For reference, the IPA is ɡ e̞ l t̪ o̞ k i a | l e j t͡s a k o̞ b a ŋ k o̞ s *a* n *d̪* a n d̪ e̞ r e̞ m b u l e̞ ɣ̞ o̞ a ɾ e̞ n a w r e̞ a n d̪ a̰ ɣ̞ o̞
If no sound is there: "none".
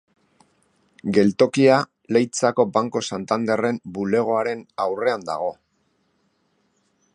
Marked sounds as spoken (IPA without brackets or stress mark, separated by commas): a, t̪